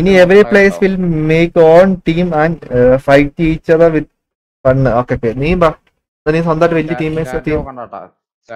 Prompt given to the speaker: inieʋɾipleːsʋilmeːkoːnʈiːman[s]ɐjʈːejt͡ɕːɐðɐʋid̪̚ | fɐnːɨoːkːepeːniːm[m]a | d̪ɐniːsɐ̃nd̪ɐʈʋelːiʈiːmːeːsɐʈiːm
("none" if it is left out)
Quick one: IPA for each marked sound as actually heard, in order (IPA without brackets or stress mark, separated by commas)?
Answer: f, b